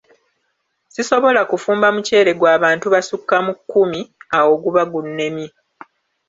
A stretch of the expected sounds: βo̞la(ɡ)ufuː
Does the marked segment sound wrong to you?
yes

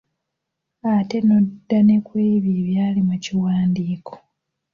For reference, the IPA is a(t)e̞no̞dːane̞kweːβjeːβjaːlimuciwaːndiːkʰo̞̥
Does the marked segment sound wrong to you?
no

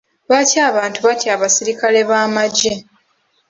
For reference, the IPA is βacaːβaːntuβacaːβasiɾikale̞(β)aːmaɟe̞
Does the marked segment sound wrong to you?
no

